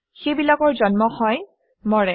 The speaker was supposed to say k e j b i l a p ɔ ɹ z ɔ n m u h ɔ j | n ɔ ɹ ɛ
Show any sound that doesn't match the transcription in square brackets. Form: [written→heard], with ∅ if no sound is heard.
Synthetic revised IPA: [k→x] e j b i l a [p→k] ɔ ɹ z ɔ n m [u→ɔ] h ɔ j | [n→m] ɔ ɹ ɛ